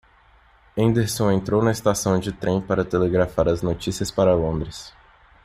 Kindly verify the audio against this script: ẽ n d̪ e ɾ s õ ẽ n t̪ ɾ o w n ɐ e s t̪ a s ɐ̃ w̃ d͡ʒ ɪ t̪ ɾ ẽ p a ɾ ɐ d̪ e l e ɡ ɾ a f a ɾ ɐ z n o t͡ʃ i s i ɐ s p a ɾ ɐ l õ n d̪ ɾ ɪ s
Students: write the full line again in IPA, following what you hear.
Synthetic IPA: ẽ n d̪ e ɾ s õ ẽ n t̪ ɾ o w n ɐ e s t̪ a s ɐ̃ w̃ d͡ʒ ɪ t̪ ɾ ẽ p a ɾ ɐ t̪ e l e ɡ ɾ a f a ɾ ɐ z n o t͡ʃ i s i ɐ s p a ɾ ɐ l õ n d̪ ɾ ɪ s